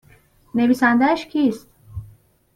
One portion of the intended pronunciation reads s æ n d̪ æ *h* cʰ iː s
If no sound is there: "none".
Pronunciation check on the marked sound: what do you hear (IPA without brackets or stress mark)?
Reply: ʃ